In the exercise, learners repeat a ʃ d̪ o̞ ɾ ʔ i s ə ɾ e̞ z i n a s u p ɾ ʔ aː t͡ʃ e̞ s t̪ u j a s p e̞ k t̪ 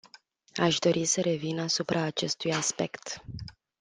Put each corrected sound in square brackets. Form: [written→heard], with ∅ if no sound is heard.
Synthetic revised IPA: a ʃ d̪ o̞ ɾ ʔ i s ə ɾ e̞ [z→v] i n a s u p ɾ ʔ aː t͡ʃ e̞ s t̪ u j a s p e̞ k t̪